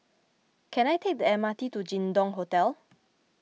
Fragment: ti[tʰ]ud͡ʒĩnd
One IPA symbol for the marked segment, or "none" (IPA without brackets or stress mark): t